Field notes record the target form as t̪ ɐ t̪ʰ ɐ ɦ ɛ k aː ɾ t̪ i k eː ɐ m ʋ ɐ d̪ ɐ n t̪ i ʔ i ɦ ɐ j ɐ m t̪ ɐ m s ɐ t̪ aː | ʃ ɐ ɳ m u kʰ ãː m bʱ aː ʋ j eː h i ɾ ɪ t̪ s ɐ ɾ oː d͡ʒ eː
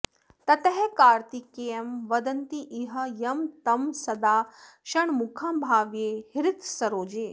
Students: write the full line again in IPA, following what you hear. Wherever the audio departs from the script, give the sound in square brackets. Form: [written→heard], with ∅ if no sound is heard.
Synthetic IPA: t̪ ɐ [t̪ʰ→t̪] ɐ ɦ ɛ k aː ɾ t̪ i k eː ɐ m ʋ ɐ d̪ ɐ n t̪ i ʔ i ɦ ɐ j ɐ m t̪ ɐ m s ɐ [t̪→d̪] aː | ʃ ɐ ɳ m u kʰ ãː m bʱ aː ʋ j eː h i ɾ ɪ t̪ s ɐ ɾ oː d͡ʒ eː